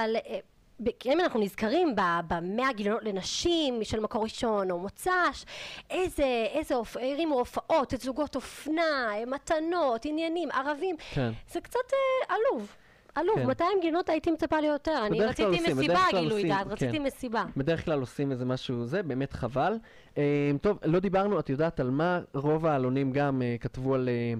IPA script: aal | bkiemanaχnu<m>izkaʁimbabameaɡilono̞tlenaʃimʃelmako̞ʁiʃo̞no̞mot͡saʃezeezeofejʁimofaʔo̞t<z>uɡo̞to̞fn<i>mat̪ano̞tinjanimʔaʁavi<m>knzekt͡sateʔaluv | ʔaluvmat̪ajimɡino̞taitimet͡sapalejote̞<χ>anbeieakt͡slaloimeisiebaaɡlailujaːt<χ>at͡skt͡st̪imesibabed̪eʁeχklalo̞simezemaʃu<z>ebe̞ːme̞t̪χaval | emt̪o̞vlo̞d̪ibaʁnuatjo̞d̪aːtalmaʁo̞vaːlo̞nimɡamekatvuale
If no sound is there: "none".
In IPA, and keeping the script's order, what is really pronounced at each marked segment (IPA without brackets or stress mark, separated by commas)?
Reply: n, z, a, m, ʁ, ʁ, z